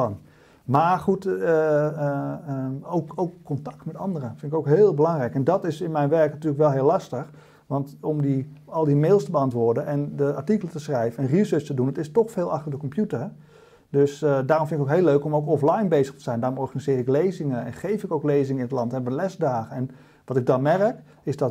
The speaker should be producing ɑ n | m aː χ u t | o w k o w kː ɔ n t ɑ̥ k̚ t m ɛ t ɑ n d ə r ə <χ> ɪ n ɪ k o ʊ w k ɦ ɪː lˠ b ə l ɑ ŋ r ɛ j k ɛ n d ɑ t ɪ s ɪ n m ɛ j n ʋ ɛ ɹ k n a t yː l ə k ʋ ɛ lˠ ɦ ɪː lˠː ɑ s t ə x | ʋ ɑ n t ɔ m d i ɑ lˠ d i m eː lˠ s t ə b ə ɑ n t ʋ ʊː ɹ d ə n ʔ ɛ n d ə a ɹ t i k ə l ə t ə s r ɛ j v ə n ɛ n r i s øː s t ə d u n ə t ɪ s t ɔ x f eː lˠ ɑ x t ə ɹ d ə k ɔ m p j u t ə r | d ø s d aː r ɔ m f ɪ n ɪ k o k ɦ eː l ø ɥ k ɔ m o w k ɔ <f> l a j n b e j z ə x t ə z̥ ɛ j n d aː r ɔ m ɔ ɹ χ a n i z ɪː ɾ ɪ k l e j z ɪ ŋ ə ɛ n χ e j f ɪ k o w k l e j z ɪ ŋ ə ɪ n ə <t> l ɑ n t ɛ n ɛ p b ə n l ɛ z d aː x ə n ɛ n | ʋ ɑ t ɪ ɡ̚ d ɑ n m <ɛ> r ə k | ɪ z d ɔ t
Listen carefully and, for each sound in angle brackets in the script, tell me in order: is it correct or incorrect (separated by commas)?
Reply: incorrect, correct, correct, correct